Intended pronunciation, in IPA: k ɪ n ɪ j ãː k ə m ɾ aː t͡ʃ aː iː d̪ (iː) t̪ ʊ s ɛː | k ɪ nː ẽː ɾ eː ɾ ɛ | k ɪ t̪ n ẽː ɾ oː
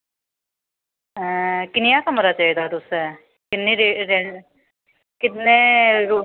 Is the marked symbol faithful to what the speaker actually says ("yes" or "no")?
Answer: no